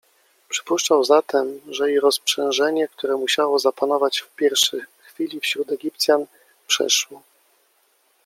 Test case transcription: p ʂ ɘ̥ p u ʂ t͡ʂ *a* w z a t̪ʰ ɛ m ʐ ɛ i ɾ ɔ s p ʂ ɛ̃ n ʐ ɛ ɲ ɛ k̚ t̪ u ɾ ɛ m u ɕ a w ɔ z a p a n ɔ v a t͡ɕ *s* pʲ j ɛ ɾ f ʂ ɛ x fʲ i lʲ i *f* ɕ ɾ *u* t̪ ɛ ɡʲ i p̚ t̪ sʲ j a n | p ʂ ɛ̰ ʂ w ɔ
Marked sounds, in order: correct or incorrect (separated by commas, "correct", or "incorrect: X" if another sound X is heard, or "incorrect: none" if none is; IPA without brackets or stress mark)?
correct, incorrect: f, correct, correct